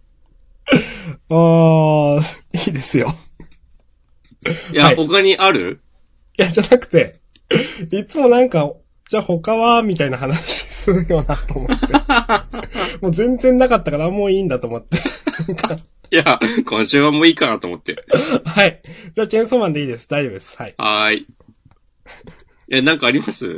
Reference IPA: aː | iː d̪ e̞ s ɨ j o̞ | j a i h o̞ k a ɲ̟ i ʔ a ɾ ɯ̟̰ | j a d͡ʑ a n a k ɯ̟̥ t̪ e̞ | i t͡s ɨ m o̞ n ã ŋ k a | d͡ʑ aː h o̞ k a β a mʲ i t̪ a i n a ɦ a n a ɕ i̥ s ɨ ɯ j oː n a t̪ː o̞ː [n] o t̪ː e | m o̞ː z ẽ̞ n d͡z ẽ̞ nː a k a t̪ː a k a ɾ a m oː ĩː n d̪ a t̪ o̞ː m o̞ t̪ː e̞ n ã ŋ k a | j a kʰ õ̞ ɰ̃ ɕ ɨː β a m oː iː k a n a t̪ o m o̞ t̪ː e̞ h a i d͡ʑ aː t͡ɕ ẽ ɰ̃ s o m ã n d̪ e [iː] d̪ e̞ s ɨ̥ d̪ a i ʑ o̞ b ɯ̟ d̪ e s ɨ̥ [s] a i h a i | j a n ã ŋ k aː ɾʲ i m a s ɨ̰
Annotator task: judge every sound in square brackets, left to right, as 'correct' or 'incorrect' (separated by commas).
incorrect, correct, incorrect